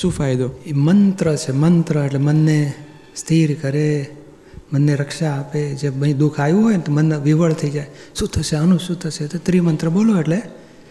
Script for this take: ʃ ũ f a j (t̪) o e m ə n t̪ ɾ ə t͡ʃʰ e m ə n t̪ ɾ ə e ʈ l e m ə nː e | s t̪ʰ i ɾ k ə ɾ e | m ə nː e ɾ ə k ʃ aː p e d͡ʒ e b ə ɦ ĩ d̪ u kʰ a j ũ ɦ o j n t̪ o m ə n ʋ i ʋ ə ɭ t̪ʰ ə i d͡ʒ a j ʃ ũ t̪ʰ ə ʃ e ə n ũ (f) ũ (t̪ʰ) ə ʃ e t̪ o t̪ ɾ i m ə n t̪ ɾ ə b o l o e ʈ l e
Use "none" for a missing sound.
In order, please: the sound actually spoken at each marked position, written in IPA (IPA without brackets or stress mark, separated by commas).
d̪, ʃ, t̪ʰ